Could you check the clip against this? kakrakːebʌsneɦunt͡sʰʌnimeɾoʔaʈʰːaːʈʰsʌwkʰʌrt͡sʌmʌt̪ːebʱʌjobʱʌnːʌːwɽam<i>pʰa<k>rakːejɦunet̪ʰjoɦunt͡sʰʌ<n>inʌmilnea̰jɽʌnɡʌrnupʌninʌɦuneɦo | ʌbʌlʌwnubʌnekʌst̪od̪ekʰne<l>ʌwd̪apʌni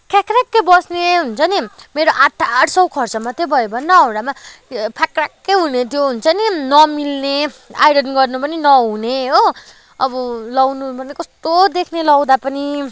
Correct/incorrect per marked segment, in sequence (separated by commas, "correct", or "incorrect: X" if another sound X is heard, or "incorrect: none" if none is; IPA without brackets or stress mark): incorrect: a, correct, correct, correct